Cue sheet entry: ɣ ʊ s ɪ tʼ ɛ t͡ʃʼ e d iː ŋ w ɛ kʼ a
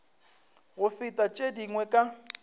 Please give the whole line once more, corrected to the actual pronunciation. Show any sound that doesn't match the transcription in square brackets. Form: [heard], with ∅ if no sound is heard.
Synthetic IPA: ɣ ʊ [f] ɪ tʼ [a] t͡ʃʼ e d [i] ŋ w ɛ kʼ a

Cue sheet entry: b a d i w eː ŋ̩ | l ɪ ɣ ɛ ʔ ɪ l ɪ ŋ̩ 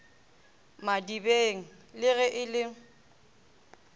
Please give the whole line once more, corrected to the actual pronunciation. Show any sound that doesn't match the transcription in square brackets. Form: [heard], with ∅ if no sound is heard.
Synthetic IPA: [m] a d i [b] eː ŋ̩ | l ɪ ɣ ɛ ʔ ɪ l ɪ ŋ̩

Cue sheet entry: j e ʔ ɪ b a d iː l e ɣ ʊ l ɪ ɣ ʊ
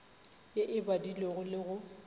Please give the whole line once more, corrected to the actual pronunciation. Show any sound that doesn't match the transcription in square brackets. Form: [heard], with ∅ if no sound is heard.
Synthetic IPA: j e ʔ ɪ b a d [i] l e ɣ ʊ l ɪ ɣ ʊ

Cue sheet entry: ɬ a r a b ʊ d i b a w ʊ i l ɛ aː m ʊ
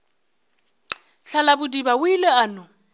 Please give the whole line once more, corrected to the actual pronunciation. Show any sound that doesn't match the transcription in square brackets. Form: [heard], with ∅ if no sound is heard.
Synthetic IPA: ɬ a [l] a b ʊ d i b a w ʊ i l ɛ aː [n] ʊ

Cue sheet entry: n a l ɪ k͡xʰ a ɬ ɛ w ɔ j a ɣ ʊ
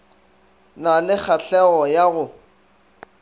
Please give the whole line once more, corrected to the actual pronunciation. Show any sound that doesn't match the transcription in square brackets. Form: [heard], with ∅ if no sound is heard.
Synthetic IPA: n a l ɪ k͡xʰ a ɬ ɛ [ɣ] ɔ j a ɣ ʊ

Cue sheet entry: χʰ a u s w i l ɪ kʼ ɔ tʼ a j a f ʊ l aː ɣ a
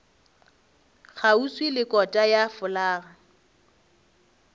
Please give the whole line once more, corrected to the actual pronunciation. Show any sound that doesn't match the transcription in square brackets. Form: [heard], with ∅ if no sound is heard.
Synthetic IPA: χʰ a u s w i l ɪ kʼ ɔ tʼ a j a f ʊ l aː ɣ a

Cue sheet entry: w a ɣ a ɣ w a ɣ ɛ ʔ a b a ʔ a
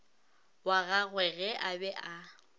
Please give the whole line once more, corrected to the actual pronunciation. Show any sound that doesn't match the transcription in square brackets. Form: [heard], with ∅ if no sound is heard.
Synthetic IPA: w a ɣ a ɣ w [ɛ] ɣ ɛ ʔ a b [ɛ] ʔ a

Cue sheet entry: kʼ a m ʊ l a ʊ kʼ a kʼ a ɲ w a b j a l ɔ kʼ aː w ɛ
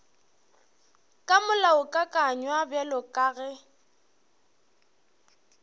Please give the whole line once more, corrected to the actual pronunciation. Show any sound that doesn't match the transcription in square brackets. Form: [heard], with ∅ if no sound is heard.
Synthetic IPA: kʼ a m ʊ l a ʊ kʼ a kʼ a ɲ w a b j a l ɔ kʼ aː [ɣ] ɛ

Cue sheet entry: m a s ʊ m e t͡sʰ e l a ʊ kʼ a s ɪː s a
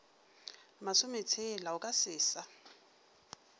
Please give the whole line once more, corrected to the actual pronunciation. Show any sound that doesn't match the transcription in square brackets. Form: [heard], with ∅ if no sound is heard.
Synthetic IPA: m a s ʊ m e t͡sʰ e l a ʊ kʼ a s ɪː s a

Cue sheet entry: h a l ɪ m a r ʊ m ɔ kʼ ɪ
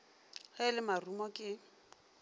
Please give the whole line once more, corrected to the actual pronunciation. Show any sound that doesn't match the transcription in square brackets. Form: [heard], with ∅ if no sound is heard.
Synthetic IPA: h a l ɪ m a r [u] m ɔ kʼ ɪ

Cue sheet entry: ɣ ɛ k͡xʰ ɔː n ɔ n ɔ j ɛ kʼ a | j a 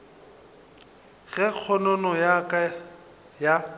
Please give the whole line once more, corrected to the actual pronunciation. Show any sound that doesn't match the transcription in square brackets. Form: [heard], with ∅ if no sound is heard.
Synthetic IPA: ɣ ɛ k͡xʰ [ɔ] n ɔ n ɔ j [a] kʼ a | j a

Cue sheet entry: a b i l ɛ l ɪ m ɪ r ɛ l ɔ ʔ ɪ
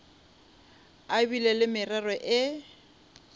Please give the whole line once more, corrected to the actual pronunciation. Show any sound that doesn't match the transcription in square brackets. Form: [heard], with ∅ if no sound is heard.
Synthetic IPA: a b i l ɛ l ɪ m ɪ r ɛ [r] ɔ ʔ ɪ

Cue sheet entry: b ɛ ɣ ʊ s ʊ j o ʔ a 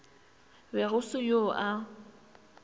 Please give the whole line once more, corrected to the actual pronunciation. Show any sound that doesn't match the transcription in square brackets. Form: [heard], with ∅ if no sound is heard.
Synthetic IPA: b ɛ ɣ ʊ s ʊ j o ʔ a

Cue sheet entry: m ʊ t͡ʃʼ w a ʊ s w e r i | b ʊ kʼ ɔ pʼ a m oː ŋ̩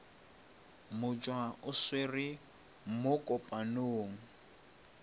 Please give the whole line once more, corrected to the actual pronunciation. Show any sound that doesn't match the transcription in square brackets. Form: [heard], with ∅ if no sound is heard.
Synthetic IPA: m ʊ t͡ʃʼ w a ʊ s w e r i | [m] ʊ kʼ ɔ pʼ a [n] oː ŋ̩

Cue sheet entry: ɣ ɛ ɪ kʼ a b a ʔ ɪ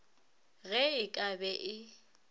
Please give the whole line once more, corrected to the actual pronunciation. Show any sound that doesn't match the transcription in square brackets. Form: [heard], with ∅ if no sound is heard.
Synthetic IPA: ɣ ɛ ɪ kʼ a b [ɛ] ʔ ɪ

